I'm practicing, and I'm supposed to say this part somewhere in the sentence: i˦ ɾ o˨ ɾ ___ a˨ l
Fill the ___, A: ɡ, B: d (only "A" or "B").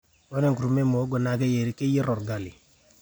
A